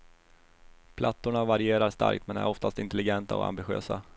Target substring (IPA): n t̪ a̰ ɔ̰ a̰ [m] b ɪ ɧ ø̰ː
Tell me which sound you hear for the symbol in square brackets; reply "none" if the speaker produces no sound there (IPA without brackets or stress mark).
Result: m